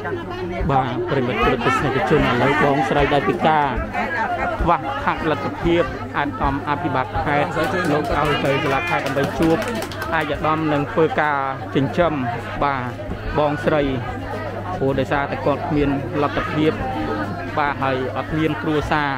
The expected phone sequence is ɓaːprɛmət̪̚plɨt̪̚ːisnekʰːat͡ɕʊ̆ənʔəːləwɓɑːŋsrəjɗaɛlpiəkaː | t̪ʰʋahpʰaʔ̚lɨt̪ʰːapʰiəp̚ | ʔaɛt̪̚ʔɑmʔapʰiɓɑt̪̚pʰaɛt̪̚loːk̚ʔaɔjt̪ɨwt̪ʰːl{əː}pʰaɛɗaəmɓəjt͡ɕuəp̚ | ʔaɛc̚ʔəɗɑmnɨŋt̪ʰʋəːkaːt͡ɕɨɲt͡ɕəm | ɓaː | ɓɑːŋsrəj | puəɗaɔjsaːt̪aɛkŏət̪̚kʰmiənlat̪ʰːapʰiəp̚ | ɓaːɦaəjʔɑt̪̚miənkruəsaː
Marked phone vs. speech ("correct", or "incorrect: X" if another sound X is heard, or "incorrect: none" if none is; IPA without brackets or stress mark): incorrect: aː